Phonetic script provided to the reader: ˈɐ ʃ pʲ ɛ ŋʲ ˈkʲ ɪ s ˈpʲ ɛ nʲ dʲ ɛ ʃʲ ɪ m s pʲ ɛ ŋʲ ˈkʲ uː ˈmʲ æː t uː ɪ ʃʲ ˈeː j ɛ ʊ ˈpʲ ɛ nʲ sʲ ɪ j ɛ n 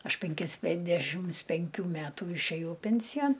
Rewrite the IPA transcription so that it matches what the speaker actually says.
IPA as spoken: ˈɐ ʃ pʲ ɛ ŋʲ ˈkʲ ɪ s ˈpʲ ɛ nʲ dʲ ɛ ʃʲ ɪ m s pʲ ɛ ŋʲ ˈkʲ uː ˈmʲ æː t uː ɪ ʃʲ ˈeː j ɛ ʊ ˈpʲ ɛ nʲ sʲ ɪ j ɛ n